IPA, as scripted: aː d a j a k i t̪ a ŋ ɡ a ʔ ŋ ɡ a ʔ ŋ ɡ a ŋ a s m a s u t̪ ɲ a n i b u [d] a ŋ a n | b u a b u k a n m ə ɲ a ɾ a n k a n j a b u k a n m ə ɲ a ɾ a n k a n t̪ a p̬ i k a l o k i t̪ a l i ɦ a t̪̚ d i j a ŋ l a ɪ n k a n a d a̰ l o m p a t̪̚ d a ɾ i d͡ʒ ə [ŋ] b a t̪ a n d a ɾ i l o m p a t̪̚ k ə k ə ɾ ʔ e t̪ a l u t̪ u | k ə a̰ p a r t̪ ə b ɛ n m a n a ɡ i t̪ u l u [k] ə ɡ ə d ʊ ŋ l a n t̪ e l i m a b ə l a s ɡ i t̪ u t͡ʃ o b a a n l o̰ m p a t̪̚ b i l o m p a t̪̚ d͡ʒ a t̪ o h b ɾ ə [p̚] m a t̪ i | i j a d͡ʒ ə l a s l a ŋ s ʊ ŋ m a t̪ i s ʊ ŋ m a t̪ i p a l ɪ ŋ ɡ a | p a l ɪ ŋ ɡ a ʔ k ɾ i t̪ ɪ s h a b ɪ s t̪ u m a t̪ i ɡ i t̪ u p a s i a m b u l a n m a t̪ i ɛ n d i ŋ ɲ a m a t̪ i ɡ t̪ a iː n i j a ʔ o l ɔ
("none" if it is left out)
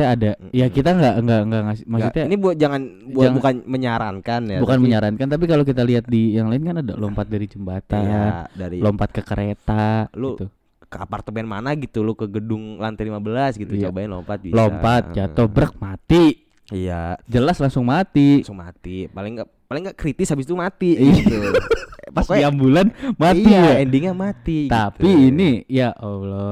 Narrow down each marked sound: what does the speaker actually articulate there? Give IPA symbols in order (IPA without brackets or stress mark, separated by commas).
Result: d͡ʒ, m, k, k̚